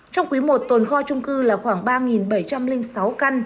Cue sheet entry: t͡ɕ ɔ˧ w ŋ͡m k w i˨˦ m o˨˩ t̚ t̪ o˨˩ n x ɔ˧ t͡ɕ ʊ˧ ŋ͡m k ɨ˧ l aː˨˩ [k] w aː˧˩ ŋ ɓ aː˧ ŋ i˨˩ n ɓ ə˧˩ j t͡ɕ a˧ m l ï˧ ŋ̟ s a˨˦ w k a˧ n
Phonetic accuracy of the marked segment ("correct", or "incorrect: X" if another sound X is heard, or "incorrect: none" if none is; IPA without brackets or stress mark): incorrect: x